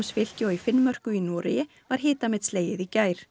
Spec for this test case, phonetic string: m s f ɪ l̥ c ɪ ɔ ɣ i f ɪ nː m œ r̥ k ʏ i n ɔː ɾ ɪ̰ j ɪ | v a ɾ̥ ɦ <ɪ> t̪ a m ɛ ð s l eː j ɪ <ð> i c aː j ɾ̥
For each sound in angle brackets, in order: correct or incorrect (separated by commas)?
incorrect, correct